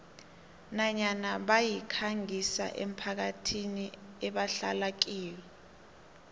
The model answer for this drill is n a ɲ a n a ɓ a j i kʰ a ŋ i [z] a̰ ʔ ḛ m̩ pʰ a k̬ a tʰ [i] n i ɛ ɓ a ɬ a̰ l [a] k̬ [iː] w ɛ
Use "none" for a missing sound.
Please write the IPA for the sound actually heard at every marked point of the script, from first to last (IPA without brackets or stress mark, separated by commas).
s, i, a, iː